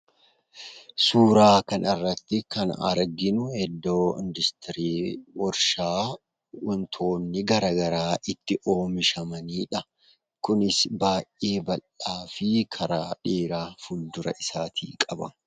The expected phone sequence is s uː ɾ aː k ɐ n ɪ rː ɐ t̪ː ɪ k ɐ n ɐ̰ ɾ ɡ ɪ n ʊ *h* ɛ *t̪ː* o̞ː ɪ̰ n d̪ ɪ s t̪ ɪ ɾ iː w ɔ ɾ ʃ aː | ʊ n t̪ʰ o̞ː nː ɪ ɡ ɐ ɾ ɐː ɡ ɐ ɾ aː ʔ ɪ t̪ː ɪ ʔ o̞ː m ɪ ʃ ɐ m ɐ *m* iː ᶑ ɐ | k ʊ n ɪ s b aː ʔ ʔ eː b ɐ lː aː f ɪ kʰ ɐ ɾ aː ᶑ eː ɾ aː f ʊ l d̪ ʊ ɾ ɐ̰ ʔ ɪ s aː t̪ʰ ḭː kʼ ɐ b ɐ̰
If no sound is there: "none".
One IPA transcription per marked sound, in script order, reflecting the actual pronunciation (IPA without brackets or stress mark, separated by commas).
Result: h, d̪ː, n